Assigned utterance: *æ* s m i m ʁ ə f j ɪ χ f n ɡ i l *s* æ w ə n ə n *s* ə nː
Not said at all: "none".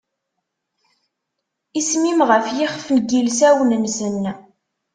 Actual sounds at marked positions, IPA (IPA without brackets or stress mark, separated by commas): i, s, s